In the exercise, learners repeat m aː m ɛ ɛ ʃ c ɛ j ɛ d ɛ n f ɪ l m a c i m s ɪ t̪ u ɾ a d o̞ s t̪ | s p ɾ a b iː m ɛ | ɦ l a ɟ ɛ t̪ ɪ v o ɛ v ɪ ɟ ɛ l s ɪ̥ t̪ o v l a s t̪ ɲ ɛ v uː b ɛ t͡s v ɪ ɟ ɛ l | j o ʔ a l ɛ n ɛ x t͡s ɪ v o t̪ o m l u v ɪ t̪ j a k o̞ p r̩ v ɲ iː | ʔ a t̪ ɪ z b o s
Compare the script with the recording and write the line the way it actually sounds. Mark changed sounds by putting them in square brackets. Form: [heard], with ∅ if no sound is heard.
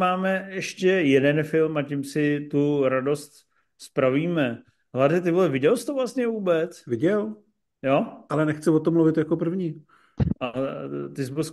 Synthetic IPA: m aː m ɛ ɛ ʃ c ɛ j ɛ d ɛ n f ɪ l m a c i m s ɪ t̪ u ɾ a d o̞ s t̪ | s p ɾ a [v] iː m ɛ | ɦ l a [d] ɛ t̪ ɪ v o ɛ v ɪ ɟ ɛ l s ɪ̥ t̪ o v l a s t̪ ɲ ɛ v uː b ɛ t͡s v ɪ ɟ ɛ l | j o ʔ a l ɛ n ɛ x t͡s ɪ v o t̪ o m l u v ɪ t̪ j a k o̞ p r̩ v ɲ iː | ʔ a t̪ ɪ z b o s